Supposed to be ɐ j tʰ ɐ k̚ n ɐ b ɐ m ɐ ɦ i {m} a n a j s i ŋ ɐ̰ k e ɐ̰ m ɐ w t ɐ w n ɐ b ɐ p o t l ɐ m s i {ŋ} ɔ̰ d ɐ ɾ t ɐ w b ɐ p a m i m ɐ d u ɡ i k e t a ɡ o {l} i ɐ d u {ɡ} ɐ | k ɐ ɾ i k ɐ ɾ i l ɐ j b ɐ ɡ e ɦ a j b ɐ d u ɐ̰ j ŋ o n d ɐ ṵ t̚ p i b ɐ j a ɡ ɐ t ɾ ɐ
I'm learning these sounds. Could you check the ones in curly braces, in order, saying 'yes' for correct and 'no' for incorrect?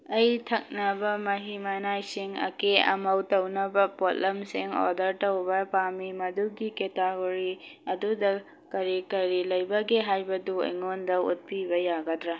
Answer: yes, yes, no, no

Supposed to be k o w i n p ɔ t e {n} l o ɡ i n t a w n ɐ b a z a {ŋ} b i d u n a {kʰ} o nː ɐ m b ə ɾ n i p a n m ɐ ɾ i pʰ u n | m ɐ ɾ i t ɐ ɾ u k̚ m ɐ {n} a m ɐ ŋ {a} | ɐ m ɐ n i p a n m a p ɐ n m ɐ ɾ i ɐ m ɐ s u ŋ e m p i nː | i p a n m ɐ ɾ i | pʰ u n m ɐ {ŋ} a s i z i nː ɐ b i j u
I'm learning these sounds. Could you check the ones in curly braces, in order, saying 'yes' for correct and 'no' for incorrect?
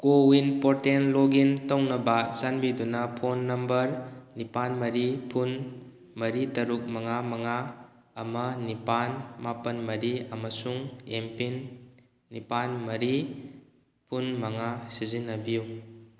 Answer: yes, no, no, no, yes, yes

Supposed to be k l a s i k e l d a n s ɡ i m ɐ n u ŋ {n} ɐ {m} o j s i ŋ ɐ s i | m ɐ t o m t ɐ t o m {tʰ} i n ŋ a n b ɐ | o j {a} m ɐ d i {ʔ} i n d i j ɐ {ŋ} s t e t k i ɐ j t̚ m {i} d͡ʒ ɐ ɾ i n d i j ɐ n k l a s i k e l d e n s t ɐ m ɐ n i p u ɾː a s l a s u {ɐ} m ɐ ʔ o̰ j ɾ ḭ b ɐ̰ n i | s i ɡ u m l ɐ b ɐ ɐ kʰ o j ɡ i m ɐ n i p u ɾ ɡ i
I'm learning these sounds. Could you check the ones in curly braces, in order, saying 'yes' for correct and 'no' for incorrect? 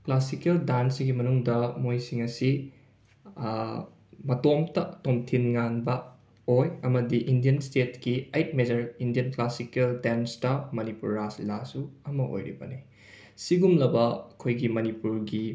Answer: no, yes, yes, no, yes, no, no, yes

